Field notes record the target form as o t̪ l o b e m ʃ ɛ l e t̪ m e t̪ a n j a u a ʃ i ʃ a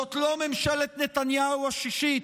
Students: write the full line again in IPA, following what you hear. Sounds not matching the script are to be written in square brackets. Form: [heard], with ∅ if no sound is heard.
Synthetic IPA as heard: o t̪ l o [m] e m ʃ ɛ l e t̪ [n] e t̪ a n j a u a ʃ i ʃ [i]

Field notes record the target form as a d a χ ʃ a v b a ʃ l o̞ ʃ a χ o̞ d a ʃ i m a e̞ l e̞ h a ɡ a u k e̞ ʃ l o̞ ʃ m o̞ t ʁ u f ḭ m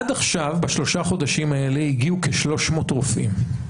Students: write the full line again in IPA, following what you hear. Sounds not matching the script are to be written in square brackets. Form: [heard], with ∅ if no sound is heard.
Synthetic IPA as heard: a d a χ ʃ a v b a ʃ l o̞ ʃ a χ o̞ d a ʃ i m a e̞ l e̞ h [i] ɡ [i] u k e̞ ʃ l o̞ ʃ m o̞ t ʁ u f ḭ m

